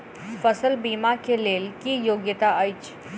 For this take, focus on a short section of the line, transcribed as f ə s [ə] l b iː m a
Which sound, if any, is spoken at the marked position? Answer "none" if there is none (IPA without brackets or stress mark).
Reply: ə